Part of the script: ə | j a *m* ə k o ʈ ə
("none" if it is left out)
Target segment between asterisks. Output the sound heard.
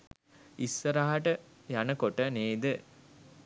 n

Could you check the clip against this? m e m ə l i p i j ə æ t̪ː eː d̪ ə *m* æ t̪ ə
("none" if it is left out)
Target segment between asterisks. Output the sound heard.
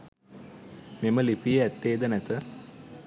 n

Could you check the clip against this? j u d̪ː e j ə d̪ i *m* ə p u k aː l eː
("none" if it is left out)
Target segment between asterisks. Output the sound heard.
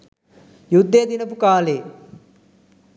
n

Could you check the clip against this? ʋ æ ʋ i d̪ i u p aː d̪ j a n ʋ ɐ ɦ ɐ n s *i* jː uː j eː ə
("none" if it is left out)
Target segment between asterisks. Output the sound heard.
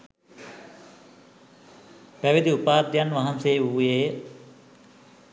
e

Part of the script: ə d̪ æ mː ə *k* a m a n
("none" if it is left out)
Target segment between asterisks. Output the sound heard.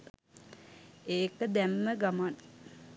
ɡ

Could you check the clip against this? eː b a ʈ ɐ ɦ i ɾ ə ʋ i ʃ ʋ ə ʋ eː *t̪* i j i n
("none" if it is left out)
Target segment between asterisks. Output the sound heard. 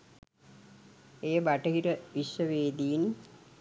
d̪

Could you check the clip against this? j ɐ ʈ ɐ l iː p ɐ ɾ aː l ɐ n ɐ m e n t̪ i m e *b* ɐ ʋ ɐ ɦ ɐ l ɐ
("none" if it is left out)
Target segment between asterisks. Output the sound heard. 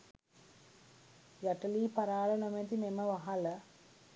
m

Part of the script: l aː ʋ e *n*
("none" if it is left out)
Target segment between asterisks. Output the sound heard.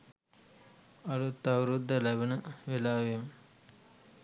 m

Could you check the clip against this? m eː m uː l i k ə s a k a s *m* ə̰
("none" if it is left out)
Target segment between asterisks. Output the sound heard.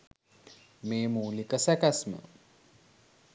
m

